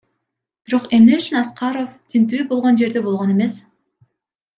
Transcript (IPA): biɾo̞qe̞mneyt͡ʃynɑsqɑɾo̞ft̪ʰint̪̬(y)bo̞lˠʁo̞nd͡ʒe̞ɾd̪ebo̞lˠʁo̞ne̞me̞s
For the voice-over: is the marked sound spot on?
no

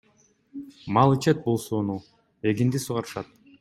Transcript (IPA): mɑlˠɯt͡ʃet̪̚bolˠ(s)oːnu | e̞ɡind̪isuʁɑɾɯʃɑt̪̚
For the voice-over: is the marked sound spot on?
yes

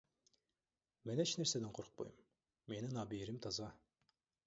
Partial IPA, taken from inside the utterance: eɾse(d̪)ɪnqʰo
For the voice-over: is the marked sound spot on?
yes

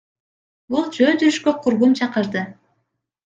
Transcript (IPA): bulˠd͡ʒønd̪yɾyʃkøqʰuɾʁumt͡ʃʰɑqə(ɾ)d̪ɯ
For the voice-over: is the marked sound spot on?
yes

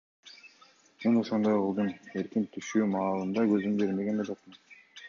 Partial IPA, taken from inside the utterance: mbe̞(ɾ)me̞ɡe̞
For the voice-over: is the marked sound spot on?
yes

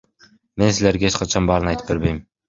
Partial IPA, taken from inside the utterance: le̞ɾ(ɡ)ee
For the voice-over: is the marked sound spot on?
yes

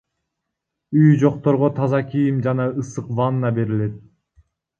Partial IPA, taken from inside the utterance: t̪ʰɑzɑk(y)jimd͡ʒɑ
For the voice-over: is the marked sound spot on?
no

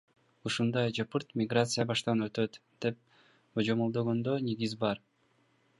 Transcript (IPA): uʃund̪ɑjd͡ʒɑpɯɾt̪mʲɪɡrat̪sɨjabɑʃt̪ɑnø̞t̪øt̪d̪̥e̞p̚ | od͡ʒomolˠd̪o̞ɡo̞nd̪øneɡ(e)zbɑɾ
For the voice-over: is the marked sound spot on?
no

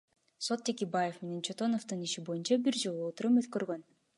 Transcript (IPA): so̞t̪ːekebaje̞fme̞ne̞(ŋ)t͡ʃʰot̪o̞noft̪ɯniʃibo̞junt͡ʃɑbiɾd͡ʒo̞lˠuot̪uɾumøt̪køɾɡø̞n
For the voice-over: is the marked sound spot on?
no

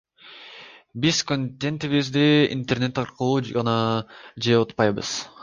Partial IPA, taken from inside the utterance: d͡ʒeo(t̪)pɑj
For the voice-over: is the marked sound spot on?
yes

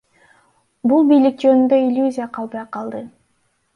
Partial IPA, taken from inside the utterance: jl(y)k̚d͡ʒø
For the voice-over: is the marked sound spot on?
no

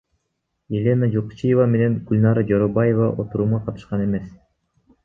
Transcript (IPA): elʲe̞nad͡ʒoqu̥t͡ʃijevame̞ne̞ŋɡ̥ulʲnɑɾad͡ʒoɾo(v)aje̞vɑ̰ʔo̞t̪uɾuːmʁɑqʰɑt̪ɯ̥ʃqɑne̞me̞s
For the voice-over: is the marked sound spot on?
no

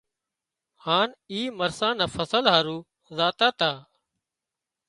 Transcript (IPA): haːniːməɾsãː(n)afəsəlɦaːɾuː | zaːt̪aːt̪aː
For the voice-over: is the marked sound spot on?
yes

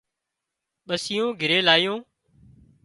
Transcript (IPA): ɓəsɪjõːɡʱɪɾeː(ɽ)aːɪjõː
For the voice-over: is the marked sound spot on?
no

